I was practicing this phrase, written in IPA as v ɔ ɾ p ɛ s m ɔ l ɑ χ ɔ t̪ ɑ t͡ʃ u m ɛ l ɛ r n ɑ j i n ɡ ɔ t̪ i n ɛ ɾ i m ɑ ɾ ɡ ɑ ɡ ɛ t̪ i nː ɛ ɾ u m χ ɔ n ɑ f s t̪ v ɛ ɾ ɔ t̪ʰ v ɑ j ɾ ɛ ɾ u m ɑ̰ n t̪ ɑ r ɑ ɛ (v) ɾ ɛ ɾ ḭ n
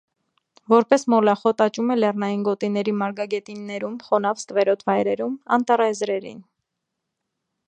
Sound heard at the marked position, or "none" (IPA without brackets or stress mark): z